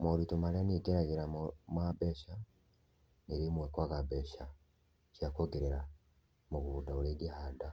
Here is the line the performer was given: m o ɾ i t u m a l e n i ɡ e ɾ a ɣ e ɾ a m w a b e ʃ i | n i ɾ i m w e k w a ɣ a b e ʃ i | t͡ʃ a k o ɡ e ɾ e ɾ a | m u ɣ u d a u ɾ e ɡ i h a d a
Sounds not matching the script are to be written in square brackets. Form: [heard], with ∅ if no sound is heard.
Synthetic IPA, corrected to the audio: m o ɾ i t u m a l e n i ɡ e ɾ a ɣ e ɾ a m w a b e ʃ [a] | n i ɾ i m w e k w a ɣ a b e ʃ [a] | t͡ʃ a k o ɡ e ɾ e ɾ a | m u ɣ u d a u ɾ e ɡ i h a d a